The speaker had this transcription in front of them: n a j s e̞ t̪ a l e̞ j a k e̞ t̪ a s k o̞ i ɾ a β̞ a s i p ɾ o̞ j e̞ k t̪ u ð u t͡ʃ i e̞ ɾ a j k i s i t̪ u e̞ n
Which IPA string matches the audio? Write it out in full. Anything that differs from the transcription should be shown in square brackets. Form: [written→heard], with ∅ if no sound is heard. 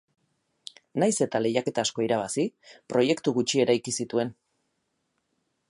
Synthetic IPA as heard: n a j s e̞ t̪ a l e̞ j a k e̞ t̪ a s k o̞ i ɾ a β̞ a s i p ɾ o̞ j e̞ k t̪ u [ð→ɣ] u t͡ʃ i e̞ ɾ a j k i s i t̪ u e̞ n